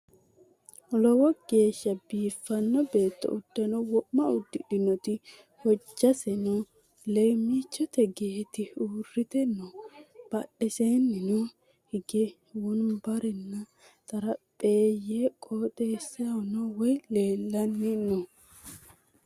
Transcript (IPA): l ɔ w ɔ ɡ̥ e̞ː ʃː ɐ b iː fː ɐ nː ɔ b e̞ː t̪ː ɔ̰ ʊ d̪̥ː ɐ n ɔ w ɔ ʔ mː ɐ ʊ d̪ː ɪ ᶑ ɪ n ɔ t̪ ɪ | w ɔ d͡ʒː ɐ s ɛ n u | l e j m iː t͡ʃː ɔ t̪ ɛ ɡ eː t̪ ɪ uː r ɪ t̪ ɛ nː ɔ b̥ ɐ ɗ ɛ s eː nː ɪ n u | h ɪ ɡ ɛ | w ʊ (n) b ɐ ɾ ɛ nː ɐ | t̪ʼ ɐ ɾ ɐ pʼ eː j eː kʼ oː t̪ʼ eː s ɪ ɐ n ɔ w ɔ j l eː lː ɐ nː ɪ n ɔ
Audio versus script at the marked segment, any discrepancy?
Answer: no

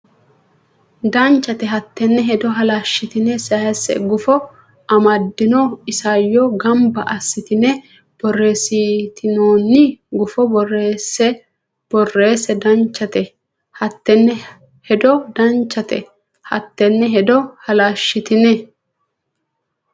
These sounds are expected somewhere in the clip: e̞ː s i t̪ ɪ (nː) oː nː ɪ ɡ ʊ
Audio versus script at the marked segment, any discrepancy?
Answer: yes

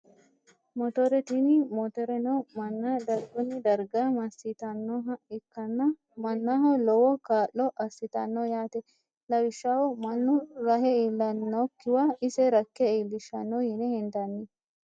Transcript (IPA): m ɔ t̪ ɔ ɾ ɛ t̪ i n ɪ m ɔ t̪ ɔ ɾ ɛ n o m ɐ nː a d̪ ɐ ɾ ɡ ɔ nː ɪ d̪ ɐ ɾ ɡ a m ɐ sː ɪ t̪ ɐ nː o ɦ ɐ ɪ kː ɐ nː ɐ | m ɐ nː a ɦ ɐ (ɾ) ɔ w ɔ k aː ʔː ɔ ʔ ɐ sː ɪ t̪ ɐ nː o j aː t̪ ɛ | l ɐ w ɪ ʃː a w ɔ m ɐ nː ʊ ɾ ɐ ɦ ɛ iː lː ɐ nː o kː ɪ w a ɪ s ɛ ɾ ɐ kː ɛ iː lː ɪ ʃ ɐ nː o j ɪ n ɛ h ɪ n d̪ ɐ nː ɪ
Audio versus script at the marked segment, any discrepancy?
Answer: yes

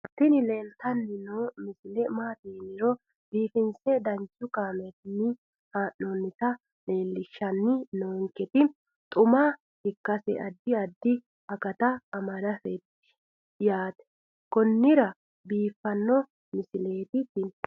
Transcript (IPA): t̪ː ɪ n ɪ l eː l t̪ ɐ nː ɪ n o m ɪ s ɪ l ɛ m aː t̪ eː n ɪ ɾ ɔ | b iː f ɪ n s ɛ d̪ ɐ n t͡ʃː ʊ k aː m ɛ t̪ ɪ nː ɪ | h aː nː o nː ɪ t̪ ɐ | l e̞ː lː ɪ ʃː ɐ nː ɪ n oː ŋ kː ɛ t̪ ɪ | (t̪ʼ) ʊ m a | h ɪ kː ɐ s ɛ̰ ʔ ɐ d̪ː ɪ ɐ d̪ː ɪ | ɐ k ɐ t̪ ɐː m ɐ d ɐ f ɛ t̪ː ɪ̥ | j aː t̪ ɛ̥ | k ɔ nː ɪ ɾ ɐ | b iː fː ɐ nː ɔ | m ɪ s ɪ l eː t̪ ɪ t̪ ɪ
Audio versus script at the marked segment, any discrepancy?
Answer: no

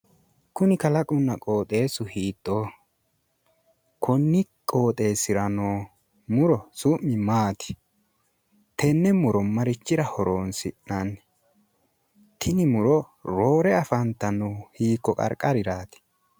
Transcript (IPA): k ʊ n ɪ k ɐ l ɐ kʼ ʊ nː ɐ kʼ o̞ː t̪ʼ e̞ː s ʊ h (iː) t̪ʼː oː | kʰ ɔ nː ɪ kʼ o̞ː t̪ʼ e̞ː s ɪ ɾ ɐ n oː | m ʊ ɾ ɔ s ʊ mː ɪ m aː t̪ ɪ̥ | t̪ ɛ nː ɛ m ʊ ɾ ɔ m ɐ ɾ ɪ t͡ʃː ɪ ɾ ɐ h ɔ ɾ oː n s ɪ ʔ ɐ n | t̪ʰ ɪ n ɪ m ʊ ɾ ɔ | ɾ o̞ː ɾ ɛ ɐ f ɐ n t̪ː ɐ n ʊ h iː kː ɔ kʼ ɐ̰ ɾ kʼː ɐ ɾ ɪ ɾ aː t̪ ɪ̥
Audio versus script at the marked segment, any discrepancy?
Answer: no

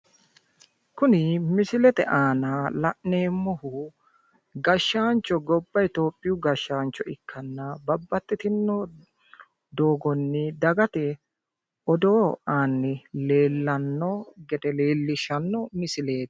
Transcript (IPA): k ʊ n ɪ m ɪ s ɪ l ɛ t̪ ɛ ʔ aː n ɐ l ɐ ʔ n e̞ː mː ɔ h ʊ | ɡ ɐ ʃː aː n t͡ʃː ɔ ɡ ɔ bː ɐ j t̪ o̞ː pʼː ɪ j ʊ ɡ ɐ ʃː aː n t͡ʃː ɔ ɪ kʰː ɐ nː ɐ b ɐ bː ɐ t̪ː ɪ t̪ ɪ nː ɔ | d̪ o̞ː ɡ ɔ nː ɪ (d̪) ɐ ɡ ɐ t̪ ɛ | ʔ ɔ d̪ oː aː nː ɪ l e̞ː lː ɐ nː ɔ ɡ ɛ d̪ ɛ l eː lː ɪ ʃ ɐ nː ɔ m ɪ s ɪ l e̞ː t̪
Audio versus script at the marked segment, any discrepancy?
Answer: no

